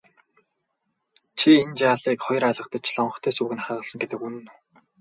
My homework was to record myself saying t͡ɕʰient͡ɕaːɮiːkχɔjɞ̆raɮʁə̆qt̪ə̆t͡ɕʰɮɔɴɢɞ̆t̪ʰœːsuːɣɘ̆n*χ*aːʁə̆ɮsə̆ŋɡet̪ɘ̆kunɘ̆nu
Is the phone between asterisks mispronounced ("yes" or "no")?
no